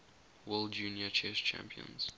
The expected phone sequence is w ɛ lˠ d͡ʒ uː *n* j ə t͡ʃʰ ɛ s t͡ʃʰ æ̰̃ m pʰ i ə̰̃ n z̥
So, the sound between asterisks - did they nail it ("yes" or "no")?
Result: yes